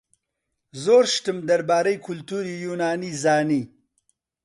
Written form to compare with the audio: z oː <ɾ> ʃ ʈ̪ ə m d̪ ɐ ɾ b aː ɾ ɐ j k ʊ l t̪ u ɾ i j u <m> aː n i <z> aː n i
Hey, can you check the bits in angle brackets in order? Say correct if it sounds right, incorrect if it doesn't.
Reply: correct, incorrect: n, correct

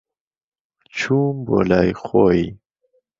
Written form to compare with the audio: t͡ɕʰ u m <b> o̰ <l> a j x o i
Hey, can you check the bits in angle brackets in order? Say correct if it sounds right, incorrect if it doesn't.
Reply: correct, correct

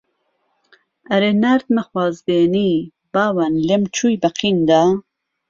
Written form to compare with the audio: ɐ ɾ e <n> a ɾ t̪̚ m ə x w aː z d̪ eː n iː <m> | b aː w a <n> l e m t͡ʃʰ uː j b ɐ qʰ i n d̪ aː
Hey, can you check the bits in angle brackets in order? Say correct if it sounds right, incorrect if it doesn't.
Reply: correct, incorrect: none, correct

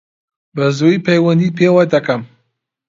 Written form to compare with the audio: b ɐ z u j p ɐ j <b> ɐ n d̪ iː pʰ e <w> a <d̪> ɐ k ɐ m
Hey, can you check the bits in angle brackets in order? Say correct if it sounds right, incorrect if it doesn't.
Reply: incorrect: w, correct, correct

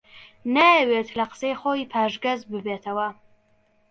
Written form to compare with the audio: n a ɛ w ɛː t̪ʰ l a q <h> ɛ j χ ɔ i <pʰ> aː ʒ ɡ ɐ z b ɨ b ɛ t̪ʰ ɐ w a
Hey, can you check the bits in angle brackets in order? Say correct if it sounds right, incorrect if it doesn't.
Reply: incorrect: s, correct

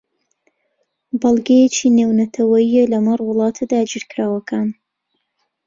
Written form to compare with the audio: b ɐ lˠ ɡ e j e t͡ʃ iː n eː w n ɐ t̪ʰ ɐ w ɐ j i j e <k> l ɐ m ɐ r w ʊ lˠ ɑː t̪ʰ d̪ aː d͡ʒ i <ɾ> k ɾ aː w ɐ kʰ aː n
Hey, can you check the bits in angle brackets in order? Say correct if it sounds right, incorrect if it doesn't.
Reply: incorrect: none, correct

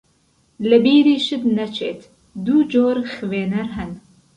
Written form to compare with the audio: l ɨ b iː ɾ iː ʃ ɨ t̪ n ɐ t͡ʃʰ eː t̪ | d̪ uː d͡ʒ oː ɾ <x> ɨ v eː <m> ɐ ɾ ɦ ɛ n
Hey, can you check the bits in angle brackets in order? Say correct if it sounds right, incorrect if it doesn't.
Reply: correct, incorrect: n

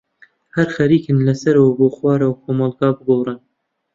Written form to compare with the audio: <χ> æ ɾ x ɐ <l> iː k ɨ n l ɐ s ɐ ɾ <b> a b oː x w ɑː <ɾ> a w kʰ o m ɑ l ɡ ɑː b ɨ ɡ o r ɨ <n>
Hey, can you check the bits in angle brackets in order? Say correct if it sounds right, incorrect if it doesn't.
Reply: incorrect: h, incorrect: ɾ, incorrect: w, correct, correct

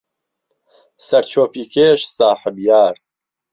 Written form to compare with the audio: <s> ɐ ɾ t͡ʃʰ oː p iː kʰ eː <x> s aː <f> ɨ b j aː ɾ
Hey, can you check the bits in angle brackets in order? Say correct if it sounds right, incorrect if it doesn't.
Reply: correct, incorrect: ʃ, incorrect: ħ

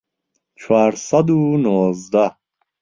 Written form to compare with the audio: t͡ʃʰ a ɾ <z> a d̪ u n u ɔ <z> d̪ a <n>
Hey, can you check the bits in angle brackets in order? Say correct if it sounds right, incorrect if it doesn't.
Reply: incorrect: s, correct, incorrect: none

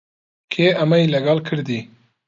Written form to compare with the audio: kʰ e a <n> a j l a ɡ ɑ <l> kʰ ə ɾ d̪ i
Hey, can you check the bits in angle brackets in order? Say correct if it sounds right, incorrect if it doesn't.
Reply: incorrect: m, correct

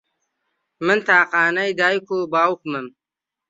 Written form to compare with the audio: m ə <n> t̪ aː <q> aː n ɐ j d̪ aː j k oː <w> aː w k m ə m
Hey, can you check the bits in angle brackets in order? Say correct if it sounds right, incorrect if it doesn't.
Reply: correct, correct, incorrect: b

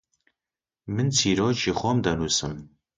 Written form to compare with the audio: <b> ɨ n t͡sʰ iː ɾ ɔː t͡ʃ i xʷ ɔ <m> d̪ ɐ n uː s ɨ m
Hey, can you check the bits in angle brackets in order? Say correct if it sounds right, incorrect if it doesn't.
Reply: incorrect: m, correct

